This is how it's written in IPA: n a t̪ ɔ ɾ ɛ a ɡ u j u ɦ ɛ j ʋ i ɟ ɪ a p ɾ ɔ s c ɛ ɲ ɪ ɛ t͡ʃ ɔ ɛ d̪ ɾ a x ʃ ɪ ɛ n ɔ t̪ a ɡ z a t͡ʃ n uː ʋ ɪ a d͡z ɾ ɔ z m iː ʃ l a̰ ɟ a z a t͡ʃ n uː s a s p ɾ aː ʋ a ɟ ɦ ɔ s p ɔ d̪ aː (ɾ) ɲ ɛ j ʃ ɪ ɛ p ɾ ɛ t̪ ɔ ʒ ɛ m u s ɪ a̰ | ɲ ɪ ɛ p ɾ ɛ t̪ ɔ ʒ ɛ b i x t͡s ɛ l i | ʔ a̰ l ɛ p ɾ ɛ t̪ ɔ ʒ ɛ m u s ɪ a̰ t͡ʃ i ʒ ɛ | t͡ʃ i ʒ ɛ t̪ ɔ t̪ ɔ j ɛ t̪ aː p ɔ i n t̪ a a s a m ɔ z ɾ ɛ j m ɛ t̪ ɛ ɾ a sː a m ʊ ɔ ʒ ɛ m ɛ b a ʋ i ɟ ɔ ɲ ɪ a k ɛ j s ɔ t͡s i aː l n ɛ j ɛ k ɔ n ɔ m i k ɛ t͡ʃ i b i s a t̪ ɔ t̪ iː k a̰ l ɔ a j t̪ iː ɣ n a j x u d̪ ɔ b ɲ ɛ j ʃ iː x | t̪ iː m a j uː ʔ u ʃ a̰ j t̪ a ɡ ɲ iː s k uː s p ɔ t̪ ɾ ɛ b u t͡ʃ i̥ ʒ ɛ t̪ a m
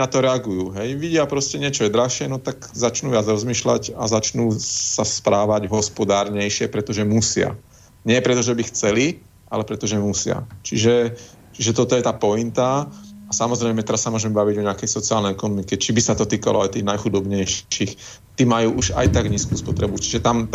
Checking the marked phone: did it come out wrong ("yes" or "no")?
no